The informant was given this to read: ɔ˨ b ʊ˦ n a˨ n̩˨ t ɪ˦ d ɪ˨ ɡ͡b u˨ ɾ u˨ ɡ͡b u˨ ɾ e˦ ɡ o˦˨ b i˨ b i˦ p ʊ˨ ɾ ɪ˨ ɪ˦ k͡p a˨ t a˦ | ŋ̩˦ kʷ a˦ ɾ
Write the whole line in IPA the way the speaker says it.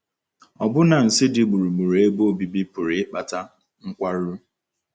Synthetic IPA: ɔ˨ b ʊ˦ n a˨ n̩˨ s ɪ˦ d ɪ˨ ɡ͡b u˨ ɾ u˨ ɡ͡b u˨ ɾ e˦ b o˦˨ b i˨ b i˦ p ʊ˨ ɾ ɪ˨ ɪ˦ k͡p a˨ t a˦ | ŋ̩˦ kʷ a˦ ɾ